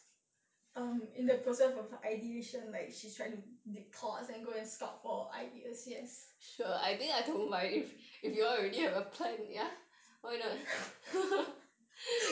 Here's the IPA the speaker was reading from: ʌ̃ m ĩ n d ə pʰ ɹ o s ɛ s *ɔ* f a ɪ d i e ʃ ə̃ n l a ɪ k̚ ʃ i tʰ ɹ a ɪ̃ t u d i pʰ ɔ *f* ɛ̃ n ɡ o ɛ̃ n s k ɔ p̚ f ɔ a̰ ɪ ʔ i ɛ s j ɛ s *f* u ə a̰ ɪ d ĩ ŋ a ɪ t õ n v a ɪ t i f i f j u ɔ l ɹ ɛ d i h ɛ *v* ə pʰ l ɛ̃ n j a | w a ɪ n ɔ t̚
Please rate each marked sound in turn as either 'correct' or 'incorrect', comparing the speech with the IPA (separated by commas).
correct, incorrect, incorrect, correct